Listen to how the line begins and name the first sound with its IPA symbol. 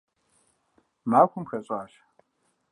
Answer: m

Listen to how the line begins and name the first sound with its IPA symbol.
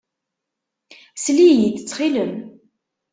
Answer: s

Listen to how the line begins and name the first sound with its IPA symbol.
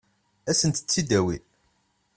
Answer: æ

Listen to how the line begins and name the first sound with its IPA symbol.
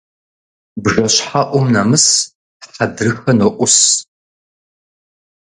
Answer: b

